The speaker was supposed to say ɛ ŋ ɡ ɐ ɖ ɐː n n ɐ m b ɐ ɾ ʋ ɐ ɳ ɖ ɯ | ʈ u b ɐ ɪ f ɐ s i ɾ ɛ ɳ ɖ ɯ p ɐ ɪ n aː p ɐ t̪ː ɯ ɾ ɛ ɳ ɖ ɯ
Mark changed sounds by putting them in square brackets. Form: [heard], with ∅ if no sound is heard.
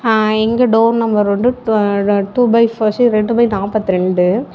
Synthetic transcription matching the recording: ɛ ŋ ɡ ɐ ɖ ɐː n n ɐ m b ɐ ɾ ʋ ɐ ɳ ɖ ɯ | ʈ u b ɐ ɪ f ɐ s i ɾ ɛ ɳ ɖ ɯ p ɐ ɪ n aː p ɐ t̪ː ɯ ɾ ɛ ɳ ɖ ɯ